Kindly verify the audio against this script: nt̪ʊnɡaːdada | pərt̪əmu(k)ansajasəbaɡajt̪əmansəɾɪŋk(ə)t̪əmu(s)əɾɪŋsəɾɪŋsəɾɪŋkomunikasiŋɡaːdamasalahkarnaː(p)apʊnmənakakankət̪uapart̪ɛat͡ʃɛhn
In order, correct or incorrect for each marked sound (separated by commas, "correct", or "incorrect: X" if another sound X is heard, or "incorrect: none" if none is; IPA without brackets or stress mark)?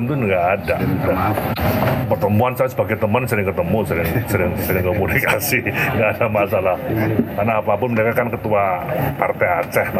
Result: incorrect: none, correct, correct, correct